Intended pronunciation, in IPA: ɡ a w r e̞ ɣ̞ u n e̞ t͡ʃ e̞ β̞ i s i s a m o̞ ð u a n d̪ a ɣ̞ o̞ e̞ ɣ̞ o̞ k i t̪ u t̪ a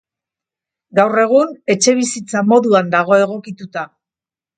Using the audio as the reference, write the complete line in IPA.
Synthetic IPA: ɡ a w r e̞ ɣ̞ u n e̞ t͡ʃ e̞ β̞ i s i t͡s a m o̞ ð u a n d̪ a ɣ̞ o̞ e̞ ɣ̞ o̞ k i t̪ u t̪ a